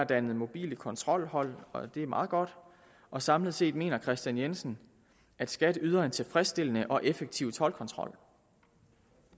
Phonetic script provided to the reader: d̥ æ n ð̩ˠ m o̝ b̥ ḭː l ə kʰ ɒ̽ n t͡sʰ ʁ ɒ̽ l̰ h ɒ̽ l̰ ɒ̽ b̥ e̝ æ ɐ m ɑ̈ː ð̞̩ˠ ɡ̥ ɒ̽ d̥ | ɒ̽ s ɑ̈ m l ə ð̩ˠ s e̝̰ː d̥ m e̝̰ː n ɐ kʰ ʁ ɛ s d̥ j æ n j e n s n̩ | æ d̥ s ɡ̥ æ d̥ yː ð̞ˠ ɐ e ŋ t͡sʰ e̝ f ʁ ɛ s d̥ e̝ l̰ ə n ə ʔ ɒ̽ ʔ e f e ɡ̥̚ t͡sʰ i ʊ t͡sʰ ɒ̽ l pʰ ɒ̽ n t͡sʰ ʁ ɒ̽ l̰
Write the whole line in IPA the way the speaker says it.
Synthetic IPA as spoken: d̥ æ n ð̩ˠ m o̝ b̥ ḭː l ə kʰ ɒ̽ n t͡sʰ ʁ ɒ̽ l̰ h ɒ̽ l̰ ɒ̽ d̥ e̝ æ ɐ m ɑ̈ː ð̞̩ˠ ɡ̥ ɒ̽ d̥ | ɒ̽ s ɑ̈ m l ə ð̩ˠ s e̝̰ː d̥ m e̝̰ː n ɐ kʰ ʁ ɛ s d̥ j æ n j e n s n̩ | æ d̥ s ɡ̥ æ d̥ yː ð̞ˠ ɐ e n t͡sʰ e̝ f ʁ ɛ s d̥ e̝ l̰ ə n ə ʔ ɒ̽ ʔ e f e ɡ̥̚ t͡sʰ i ʊ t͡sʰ ɒ̽ l kʰ ɒ̽ n t͡sʰ ʁ ɒ̽ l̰